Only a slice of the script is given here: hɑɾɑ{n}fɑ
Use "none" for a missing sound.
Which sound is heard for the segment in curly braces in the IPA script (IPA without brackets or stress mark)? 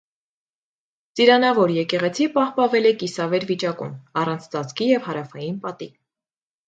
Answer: none